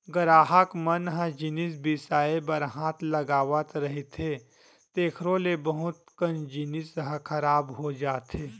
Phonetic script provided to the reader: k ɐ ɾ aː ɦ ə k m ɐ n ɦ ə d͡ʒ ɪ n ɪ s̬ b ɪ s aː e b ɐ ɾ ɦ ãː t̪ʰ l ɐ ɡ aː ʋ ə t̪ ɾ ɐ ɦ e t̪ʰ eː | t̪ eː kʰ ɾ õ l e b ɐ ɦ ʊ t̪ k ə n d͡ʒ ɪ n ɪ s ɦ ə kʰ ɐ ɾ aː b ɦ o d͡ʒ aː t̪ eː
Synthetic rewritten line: ɡ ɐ ɾ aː ɦ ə k m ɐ n ɦ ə d͡ʒ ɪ n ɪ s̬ b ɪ s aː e b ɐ ɾ ɦ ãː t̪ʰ l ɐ ɡ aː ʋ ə t̪ ɾ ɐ ɦ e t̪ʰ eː | t̪ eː kʰ ɾ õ l e b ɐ ɦ ʊ t̪ k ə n d͡ʒ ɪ n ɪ s ɦ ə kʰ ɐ ɾ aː b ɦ o d͡ʒ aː t̪ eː